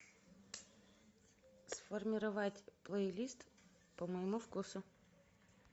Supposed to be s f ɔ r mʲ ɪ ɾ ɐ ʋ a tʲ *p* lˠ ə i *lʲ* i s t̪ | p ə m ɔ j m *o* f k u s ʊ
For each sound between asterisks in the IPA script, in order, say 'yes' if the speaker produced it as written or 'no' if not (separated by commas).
yes, yes, no